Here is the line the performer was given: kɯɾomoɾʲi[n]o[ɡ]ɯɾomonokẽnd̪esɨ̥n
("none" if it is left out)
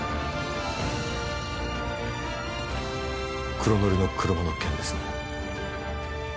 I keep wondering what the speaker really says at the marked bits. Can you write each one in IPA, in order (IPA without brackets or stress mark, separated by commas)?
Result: n, k